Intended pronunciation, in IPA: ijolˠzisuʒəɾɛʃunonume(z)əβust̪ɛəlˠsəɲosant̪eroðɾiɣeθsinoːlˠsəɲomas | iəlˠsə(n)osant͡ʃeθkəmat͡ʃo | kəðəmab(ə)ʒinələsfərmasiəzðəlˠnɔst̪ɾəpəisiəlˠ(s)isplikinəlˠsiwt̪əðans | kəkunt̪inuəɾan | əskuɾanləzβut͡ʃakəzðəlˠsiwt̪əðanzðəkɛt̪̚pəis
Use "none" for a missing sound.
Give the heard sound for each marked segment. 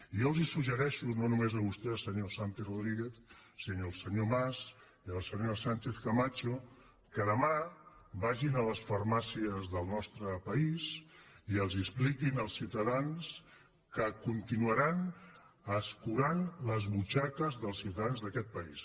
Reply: z, ɲ, a, z

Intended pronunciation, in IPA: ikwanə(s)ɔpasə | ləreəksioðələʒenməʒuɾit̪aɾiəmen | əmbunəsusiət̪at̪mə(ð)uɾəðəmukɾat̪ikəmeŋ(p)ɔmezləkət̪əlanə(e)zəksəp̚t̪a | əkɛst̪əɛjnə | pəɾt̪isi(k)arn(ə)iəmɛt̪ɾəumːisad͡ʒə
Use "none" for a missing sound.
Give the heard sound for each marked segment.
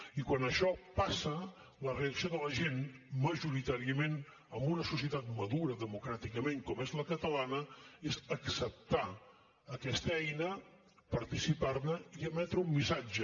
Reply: ʃ, ð, k, e, p, ə

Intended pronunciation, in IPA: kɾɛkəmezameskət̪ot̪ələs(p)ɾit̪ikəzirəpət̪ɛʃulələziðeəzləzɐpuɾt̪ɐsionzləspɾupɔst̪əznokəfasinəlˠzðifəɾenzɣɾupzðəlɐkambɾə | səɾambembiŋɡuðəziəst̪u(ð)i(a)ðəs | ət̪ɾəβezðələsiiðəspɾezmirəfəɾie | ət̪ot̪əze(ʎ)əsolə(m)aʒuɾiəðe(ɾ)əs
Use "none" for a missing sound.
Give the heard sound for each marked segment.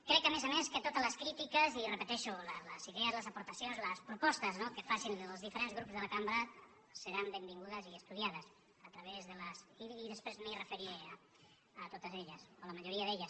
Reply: k, ð, a, ʎ, m, ʎ

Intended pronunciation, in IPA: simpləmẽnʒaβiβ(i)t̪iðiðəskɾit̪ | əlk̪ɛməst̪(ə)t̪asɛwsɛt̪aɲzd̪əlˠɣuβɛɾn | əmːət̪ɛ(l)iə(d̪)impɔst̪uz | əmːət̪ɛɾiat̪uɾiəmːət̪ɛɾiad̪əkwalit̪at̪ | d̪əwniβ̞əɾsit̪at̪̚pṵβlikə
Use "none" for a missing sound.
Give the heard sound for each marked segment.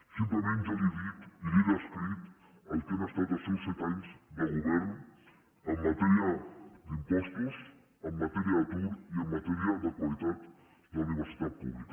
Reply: i, a, ɾ, d̪

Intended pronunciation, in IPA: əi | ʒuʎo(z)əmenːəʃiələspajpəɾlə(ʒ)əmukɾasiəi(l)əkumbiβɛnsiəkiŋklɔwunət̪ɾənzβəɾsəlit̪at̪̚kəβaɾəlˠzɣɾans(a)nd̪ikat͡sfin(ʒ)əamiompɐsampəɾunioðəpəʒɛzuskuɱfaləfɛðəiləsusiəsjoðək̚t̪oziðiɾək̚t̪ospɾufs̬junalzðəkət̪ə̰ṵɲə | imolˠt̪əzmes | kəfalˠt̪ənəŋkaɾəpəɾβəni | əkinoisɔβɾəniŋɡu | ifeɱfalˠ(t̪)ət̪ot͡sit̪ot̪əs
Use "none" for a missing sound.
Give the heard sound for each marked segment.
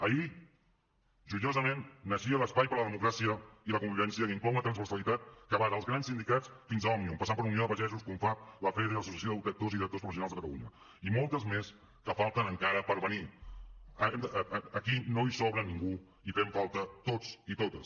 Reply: z, ð, l, i, z, t̪

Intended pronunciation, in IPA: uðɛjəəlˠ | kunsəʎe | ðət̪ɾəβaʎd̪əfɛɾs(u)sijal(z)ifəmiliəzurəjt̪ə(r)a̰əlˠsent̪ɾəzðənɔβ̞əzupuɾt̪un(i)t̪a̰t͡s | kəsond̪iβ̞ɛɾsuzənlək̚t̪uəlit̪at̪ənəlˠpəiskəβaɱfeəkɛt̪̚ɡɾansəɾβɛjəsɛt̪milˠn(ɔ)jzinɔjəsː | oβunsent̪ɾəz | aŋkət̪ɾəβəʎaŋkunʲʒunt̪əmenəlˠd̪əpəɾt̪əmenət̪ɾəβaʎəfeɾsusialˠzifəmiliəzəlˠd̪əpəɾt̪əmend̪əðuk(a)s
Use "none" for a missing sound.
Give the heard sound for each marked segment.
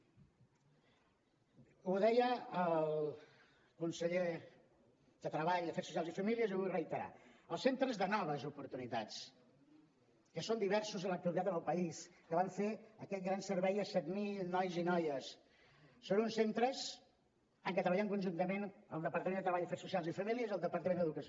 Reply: u, z, ɾ, i, ɔ, ə

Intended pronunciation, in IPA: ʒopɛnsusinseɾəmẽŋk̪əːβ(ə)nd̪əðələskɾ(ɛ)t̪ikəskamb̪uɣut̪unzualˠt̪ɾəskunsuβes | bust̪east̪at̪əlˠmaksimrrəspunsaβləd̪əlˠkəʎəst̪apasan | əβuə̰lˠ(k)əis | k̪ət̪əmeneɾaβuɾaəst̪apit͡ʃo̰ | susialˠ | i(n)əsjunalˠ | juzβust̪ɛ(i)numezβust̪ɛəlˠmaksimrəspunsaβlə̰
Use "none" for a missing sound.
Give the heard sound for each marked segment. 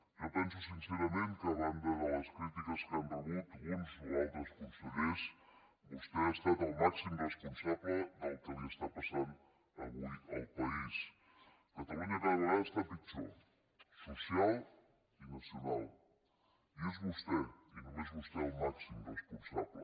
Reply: a, i, p, n, i

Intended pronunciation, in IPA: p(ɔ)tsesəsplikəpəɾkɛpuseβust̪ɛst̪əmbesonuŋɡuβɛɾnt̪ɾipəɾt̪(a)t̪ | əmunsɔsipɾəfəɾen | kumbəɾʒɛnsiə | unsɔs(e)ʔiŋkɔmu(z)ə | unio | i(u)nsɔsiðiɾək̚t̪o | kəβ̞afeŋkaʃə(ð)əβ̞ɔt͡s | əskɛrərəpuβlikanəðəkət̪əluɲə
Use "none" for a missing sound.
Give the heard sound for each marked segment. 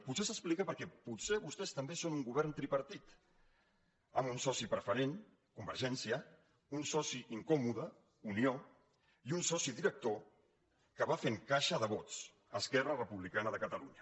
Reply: u, i, i, ð, u, ð

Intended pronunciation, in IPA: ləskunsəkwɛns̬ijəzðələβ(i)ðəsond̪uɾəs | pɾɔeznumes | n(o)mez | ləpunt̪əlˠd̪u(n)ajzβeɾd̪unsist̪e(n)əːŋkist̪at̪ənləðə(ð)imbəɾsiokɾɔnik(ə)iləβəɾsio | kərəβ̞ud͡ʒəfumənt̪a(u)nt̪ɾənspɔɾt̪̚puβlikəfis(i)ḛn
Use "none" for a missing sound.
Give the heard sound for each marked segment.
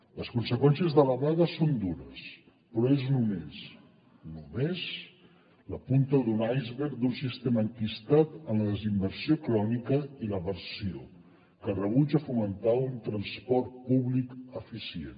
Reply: a, u, n, m, z, ə, u, i

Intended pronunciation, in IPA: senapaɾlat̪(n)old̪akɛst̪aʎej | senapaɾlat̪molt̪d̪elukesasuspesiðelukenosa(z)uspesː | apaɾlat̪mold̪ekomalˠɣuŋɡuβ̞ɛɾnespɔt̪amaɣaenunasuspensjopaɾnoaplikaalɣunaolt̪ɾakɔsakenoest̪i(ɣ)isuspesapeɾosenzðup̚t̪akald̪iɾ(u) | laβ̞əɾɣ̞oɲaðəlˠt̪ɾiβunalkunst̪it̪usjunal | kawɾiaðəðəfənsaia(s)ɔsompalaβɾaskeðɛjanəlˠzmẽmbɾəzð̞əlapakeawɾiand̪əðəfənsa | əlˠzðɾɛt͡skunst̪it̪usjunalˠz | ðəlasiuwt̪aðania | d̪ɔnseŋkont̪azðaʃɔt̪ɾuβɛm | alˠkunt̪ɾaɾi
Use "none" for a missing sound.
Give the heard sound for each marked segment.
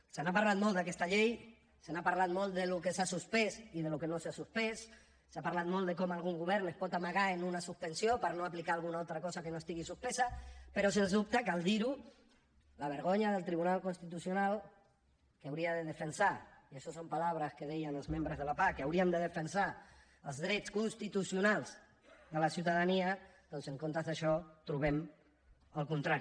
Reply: m, s, ɣ, u, ʃ

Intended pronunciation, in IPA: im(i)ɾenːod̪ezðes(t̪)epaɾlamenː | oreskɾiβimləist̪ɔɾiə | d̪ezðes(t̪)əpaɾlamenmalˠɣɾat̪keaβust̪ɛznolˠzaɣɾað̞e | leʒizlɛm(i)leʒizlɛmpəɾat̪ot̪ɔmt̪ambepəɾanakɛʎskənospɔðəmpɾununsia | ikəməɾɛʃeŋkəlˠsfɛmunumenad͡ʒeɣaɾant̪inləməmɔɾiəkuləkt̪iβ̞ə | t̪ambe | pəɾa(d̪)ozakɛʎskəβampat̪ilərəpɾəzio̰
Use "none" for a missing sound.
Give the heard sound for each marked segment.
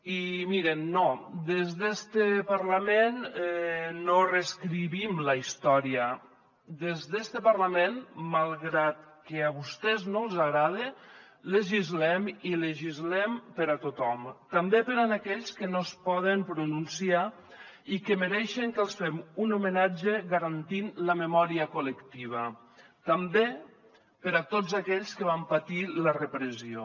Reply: i, t̪, t̪, i, t̪

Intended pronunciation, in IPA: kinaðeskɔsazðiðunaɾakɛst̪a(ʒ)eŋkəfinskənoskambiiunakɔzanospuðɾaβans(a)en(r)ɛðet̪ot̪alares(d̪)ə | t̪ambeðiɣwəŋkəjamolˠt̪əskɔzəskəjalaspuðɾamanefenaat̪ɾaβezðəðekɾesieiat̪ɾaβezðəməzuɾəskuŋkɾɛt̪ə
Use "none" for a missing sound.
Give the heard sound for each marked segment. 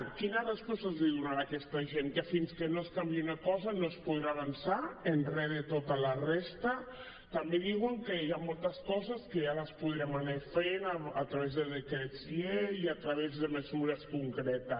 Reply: ʒ, a, r, t̪

